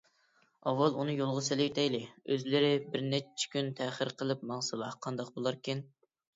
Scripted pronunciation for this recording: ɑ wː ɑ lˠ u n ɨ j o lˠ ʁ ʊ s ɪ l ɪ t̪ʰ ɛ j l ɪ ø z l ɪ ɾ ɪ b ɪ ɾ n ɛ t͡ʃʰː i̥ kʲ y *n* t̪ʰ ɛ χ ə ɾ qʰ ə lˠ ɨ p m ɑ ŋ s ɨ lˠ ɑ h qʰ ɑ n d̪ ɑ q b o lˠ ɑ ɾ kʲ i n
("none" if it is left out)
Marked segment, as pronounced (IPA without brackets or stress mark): n